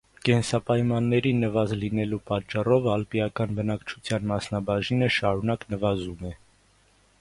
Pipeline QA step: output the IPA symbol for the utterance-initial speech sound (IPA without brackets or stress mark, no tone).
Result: k